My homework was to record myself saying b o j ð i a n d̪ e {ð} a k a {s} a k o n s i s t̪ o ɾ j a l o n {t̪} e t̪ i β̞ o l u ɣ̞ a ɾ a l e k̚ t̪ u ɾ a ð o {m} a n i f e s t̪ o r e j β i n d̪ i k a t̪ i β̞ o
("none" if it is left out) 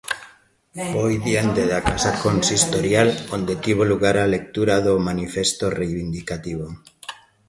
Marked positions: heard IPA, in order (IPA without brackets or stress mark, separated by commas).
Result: ð, s, d̪, m